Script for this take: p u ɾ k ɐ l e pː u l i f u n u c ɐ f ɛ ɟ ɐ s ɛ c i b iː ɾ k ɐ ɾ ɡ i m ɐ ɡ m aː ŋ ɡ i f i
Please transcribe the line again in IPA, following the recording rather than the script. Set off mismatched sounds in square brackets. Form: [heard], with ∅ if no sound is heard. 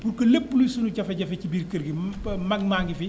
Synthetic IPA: p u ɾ k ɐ l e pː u l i [s] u n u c ɐ f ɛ ɟ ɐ [f] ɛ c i b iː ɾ k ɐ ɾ ɡ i m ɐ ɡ m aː ŋ ɡ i f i